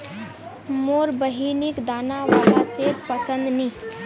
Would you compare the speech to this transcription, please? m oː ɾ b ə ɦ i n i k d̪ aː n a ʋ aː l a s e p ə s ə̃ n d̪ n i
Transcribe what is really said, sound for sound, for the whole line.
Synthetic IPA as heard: m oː ɾ b ə ɦ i n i k d̪ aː n a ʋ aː l a s e p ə s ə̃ n d̪ n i